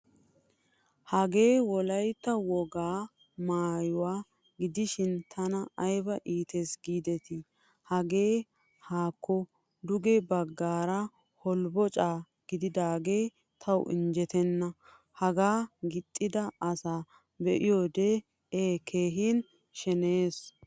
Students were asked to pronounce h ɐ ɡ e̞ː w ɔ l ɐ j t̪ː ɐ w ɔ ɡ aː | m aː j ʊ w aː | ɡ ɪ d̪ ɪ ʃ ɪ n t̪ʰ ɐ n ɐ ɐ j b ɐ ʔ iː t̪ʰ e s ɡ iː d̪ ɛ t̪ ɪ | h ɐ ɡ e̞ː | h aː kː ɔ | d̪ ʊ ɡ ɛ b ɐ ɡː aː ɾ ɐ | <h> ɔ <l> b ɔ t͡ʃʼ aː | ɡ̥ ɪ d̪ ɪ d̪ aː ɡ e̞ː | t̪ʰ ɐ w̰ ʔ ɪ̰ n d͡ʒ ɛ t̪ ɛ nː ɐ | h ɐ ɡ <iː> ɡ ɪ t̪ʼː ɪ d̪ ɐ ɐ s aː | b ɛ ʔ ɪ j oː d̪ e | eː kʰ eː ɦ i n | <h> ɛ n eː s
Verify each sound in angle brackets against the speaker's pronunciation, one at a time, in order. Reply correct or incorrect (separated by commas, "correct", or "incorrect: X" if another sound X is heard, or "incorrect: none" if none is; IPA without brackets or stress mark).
correct, correct, incorrect: aː, incorrect: ʃ